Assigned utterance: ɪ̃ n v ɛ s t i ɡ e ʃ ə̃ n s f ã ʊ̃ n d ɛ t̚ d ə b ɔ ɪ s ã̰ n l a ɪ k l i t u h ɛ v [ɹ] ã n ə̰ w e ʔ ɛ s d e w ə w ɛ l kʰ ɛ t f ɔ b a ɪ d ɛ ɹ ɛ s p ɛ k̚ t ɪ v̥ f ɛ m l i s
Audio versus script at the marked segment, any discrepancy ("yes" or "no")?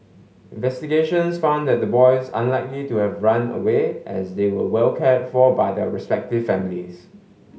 no